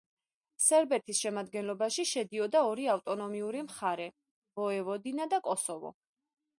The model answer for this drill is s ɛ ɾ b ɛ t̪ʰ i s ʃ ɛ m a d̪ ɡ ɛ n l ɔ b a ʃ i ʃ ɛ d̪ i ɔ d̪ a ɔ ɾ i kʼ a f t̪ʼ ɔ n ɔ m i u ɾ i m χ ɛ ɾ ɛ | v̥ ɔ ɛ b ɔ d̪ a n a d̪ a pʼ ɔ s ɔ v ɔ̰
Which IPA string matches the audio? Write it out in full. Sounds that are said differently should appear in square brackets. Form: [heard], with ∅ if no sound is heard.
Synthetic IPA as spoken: s ɛ ɾ b ɛ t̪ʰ i s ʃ ɛ m a d̪ ɡ ɛ n l ɔ b a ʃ i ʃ ɛ d̪ i ɔ d̪ a ɔ ɾ i [∅] a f t̪ʼ ɔ n ɔ m i u ɾ i m χ [a] ɾ ɛ | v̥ ɔ ɛ [v] ɔ d̪ [i] n a d̪ a [kʼ] ɔ s ɔ v ɔ̰